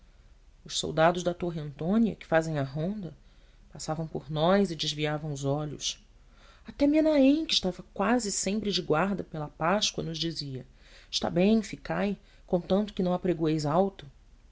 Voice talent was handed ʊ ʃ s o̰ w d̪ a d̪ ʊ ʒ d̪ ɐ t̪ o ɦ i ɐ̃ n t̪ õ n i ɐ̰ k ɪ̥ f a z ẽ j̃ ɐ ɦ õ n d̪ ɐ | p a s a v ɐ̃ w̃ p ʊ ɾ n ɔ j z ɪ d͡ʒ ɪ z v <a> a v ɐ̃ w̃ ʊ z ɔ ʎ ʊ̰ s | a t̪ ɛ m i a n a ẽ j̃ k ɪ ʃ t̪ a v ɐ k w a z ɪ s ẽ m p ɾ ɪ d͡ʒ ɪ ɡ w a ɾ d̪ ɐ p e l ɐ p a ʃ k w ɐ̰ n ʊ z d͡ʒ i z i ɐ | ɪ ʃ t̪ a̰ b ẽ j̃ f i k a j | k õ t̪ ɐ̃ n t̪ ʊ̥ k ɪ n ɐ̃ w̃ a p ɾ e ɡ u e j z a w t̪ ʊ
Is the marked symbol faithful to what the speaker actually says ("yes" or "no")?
no